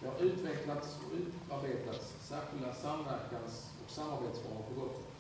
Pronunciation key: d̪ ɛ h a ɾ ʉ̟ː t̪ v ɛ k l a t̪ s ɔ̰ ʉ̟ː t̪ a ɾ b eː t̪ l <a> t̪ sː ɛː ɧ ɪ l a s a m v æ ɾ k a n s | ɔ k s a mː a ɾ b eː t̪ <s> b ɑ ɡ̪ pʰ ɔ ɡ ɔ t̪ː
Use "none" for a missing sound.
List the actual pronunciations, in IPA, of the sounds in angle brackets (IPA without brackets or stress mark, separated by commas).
a, s